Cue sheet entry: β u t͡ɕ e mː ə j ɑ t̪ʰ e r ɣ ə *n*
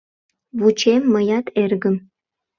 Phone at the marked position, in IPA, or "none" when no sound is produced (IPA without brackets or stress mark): m